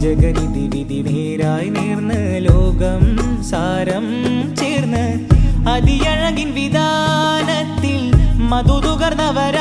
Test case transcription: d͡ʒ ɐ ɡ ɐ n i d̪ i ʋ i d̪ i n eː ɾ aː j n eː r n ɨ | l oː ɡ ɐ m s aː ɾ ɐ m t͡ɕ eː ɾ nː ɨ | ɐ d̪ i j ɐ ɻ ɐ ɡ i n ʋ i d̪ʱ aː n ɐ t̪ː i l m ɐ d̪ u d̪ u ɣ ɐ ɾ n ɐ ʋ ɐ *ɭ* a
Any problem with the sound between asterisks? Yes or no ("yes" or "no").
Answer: yes